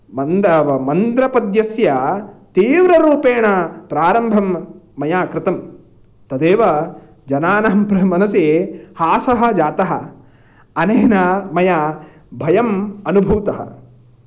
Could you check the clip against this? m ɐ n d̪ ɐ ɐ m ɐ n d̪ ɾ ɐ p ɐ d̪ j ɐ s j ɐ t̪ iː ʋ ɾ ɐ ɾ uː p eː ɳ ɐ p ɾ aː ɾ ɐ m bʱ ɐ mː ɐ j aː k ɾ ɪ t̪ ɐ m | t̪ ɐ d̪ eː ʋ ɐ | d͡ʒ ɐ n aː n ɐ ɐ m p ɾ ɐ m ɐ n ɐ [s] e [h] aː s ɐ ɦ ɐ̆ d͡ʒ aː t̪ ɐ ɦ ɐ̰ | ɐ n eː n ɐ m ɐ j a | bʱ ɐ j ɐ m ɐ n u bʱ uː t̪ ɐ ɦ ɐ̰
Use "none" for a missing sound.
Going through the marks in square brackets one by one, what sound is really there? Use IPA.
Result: s, h

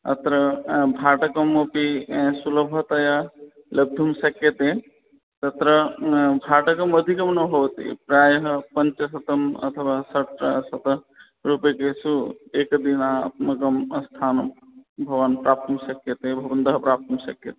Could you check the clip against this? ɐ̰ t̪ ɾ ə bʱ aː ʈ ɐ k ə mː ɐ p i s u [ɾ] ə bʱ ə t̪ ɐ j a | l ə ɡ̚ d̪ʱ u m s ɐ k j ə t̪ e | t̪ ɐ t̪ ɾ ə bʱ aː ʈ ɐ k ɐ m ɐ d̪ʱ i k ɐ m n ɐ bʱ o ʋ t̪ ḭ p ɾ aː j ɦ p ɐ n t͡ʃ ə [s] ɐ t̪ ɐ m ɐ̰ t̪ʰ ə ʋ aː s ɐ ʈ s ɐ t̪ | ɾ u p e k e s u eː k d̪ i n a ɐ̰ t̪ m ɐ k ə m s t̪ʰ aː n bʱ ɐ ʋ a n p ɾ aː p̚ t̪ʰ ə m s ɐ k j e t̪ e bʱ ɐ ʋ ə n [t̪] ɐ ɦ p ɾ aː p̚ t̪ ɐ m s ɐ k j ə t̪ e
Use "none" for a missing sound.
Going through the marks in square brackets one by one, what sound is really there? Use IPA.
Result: l, s, d̪

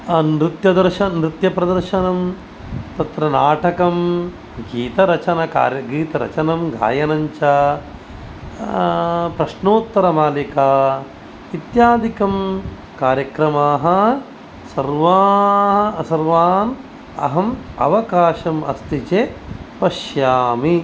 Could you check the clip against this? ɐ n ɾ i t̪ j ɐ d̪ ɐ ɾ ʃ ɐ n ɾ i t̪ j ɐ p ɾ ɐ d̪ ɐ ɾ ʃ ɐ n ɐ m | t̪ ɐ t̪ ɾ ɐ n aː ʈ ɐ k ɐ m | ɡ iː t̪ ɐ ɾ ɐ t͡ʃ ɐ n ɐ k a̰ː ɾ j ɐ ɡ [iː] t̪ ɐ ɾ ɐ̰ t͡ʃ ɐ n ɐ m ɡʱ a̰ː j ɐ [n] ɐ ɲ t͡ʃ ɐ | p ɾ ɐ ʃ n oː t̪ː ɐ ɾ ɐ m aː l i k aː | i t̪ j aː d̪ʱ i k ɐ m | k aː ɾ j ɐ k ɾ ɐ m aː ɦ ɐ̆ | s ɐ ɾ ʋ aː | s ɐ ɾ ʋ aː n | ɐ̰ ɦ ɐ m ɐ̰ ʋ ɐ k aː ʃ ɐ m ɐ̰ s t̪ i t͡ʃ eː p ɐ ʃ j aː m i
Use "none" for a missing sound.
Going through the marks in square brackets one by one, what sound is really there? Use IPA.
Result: iː, n

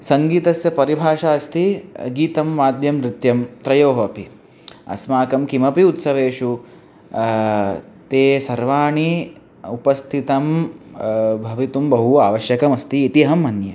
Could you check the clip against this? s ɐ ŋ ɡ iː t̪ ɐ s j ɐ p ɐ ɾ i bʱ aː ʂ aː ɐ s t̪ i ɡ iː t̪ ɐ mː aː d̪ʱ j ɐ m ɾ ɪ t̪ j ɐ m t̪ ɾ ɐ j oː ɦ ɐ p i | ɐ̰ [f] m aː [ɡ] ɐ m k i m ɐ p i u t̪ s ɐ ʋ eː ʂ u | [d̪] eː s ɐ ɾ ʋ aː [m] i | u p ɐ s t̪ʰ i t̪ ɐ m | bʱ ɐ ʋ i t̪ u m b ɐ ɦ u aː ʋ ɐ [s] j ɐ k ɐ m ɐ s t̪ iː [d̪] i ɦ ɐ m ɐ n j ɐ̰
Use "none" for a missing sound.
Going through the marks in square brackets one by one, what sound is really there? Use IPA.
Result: s, k, t̪, ɳ, ʃ, t̪

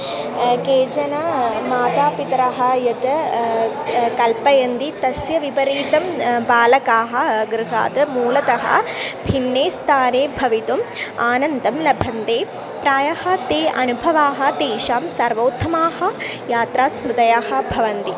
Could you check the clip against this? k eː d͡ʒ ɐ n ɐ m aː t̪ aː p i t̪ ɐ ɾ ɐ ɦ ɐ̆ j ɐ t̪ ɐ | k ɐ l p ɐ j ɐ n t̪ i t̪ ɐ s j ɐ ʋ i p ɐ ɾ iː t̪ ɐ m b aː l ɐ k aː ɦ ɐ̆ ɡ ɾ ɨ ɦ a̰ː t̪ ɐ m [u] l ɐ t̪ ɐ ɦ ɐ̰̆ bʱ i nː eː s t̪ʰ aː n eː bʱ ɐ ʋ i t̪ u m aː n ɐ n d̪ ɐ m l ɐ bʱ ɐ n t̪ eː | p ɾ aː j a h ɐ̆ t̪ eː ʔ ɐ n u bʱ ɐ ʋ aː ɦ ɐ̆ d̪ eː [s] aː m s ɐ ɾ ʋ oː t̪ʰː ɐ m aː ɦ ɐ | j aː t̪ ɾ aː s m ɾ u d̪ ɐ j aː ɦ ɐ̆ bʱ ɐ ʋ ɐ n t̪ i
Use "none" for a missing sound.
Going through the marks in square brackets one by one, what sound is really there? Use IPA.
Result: uː, ʃ

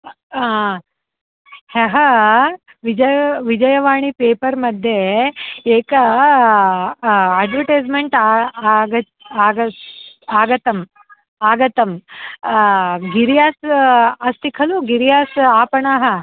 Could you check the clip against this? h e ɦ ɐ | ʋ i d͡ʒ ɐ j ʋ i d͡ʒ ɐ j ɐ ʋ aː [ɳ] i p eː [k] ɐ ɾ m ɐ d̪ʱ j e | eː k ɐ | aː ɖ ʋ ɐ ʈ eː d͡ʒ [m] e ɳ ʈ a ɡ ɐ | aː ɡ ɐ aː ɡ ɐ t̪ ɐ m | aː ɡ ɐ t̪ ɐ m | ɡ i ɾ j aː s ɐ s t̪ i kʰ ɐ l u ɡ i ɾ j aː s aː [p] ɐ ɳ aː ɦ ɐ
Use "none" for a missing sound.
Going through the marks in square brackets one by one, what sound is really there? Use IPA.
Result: ɳ, p, m, p

